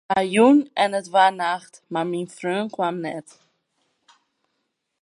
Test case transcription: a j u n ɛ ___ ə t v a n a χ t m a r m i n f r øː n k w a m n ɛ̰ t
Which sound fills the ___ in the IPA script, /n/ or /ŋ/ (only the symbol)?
n